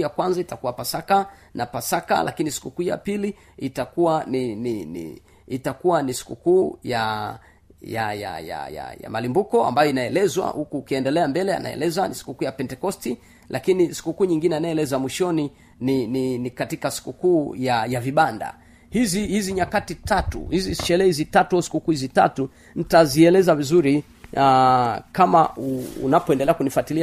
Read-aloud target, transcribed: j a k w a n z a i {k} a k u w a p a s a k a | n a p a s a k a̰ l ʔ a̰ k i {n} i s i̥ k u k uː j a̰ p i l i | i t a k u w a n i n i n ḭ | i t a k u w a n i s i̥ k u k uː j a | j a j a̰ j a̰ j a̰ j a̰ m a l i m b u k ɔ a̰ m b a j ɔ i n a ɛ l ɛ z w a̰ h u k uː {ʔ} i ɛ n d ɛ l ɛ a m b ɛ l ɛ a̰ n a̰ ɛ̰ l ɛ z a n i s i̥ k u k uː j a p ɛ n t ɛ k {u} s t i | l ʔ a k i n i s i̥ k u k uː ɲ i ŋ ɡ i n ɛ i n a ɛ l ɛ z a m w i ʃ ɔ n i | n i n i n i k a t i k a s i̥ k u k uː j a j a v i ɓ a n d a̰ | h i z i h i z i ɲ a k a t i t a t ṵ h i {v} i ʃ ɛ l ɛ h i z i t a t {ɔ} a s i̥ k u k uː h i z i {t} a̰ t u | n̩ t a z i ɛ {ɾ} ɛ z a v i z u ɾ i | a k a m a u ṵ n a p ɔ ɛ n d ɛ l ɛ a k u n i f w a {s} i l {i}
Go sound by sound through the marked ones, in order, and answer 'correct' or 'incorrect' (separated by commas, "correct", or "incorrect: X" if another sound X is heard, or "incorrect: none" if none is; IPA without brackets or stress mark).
incorrect: t, correct, incorrect: k, incorrect: ɔ, incorrect: z, incorrect: u, correct, incorrect: l, incorrect: t, correct